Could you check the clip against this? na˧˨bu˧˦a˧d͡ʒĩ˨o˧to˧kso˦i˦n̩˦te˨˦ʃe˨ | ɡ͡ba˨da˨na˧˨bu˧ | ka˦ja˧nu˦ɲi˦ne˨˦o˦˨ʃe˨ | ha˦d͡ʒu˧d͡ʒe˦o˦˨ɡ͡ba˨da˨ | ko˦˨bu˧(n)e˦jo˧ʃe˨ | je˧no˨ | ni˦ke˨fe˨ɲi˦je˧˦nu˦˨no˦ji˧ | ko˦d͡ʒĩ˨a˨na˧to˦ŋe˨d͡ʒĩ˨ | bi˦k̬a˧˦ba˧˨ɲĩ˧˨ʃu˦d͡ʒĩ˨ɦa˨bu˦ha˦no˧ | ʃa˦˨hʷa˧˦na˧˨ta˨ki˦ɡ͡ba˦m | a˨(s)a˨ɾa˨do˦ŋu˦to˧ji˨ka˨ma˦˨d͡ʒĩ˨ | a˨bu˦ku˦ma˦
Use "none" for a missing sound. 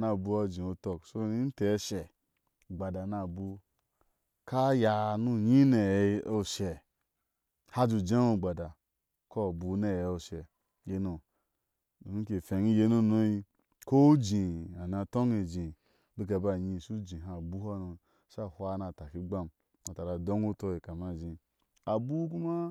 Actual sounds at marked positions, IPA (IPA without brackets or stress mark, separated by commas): n, t